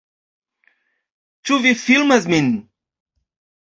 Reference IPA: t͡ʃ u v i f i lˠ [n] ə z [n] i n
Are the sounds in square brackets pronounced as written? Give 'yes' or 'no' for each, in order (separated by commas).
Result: no, no